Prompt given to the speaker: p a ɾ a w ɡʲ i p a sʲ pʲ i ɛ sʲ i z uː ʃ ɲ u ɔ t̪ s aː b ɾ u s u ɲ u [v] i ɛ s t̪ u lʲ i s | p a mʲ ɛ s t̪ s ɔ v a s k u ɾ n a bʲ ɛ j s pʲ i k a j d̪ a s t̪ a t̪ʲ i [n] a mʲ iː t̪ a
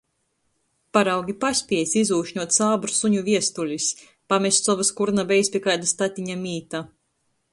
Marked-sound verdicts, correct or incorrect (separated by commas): correct, incorrect